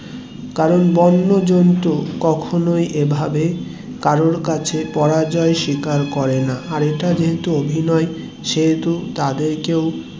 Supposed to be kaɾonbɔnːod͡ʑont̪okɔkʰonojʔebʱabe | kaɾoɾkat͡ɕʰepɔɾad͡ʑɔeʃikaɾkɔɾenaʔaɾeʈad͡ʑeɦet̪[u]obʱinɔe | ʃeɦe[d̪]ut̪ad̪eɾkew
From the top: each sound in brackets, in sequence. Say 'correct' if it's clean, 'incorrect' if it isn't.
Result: correct, incorrect: t̪

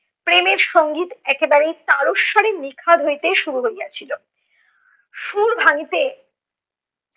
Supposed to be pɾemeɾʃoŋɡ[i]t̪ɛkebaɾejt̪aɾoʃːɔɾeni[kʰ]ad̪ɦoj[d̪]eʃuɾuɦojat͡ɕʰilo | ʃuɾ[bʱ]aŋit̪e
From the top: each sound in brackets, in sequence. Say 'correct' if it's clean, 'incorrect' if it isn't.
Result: correct, correct, incorrect: t̪, correct

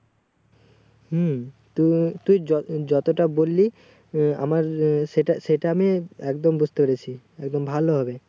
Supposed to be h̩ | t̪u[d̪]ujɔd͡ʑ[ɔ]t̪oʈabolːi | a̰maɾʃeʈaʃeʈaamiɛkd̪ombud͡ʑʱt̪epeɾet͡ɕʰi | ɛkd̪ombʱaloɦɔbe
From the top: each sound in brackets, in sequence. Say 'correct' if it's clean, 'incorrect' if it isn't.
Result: incorrect: t̪, correct

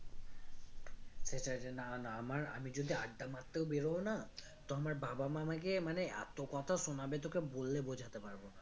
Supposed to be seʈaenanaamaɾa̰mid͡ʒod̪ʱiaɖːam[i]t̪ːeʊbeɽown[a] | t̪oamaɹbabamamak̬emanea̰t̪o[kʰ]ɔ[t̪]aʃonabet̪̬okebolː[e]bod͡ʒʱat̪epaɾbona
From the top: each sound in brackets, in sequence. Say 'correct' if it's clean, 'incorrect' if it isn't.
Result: incorrect: a, correct, incorrect: k, incorrect: t̪ʰ, correct

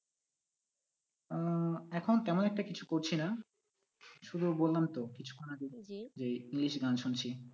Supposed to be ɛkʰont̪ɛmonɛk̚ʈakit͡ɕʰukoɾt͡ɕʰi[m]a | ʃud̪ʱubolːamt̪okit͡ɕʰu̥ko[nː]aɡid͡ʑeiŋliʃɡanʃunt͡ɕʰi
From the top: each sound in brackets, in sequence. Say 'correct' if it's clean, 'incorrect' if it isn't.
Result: incorrect: n, incorrect: n

